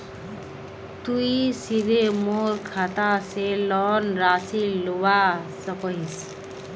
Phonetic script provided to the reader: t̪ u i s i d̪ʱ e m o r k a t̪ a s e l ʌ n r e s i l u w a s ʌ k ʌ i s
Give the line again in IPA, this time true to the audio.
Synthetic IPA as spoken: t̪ u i s i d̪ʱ e m o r kʰ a t̪ a s e l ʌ n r a s i l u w a s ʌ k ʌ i s